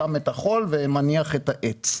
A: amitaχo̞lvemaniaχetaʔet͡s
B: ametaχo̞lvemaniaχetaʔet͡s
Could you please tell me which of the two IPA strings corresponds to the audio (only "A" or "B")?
B